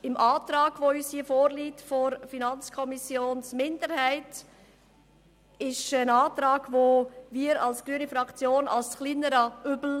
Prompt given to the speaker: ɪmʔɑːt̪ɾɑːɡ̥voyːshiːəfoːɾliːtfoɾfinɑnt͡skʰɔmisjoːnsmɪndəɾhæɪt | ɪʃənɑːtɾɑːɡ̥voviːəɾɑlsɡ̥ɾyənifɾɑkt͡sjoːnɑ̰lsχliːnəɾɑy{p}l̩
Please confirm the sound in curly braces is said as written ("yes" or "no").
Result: no